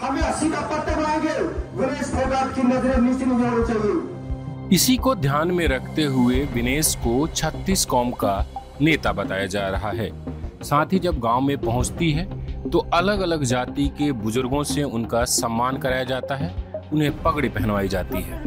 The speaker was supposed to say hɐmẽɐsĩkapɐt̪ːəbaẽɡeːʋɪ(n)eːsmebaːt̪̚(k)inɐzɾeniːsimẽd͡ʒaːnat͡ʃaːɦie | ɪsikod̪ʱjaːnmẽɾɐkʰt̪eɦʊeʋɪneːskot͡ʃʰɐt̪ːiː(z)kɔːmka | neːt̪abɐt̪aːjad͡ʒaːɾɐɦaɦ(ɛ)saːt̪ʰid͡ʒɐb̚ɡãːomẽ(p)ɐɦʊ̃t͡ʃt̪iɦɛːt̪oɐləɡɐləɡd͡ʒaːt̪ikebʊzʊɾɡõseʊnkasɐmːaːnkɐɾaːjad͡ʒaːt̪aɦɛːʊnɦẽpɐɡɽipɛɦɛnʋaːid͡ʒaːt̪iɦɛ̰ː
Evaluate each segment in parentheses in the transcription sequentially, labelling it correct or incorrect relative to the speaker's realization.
correct, correct, incorrect: s, incorrect: ɛː, correct

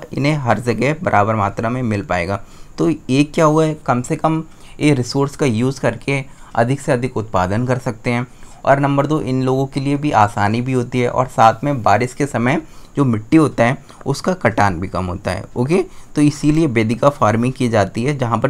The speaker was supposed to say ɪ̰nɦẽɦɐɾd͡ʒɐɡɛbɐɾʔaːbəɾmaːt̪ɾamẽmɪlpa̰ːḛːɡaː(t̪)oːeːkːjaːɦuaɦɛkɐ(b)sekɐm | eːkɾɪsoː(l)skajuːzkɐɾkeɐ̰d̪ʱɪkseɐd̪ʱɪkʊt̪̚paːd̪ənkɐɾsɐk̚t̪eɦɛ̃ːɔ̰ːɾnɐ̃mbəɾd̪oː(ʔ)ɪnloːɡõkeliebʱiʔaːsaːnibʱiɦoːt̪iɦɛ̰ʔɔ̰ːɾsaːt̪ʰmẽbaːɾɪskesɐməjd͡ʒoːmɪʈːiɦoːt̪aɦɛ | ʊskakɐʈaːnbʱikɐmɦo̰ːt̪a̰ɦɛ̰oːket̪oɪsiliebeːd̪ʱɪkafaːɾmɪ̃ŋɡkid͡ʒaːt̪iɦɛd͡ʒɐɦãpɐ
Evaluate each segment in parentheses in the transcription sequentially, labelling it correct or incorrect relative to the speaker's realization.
correct, incorrect: m, incorrect: ɾ, correct

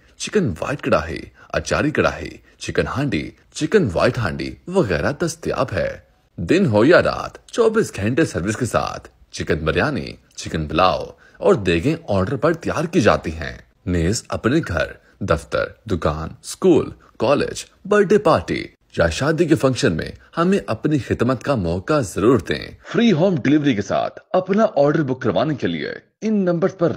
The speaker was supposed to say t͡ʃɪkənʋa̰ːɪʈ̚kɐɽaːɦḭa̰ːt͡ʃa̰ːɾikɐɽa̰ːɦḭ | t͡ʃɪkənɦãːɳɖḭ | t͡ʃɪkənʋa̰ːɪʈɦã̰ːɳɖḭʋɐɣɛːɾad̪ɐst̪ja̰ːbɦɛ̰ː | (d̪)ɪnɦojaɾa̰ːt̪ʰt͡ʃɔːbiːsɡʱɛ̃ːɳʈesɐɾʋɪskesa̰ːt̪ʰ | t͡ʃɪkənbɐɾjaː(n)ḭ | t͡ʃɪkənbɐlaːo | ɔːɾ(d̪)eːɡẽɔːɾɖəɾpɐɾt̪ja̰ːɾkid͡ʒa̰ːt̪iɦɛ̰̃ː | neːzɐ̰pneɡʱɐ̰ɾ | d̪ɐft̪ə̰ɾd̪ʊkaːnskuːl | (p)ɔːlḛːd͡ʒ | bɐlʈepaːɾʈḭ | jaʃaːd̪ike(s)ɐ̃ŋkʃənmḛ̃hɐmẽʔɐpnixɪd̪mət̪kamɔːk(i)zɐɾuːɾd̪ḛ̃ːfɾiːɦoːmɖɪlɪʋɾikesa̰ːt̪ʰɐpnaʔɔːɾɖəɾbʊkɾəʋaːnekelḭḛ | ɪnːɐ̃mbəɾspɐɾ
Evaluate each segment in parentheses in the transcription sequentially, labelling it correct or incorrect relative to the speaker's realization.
correct, correct, correct, incorrect: k, incorrect: f, incorrect: a

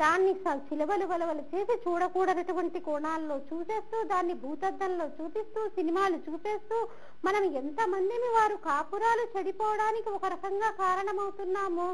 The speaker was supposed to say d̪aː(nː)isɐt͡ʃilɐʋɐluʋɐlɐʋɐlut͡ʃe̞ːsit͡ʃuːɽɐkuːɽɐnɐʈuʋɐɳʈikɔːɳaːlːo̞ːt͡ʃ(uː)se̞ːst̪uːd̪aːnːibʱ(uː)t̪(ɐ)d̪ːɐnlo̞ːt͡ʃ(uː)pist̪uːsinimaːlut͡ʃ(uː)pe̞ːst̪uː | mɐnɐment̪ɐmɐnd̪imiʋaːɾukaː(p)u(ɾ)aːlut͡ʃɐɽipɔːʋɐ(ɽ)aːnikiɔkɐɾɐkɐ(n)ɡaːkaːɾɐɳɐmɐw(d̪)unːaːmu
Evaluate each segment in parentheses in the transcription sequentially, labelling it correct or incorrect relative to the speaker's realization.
correct, correct, correct, correct, correct, correct, correct, correct, correct, incorrect: ŋ, incorrect: t̪

